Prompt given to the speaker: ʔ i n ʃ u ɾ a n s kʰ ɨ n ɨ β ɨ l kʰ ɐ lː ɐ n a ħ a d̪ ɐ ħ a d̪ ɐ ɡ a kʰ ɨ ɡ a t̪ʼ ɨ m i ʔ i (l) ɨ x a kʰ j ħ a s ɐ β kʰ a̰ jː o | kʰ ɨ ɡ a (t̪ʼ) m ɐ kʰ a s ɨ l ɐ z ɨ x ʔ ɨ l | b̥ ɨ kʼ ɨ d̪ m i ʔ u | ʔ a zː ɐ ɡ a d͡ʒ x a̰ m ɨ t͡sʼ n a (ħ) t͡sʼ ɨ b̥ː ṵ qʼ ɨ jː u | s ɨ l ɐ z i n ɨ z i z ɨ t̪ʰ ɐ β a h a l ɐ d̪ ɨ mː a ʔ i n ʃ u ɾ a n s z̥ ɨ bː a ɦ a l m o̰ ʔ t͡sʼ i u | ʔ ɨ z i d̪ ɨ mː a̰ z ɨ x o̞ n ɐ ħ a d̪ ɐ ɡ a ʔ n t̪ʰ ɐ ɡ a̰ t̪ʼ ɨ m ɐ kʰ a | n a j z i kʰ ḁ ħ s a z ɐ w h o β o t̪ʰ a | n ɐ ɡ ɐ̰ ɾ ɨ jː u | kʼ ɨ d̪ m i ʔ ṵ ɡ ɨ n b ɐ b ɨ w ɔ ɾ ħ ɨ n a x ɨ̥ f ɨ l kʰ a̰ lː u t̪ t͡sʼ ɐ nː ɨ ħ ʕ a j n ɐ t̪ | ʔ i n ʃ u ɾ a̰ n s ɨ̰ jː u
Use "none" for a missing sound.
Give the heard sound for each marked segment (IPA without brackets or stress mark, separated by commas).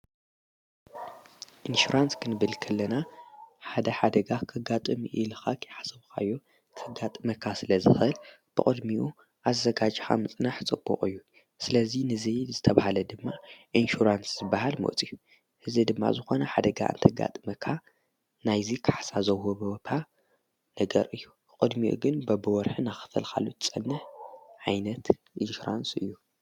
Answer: l, t̪ʼ, ħ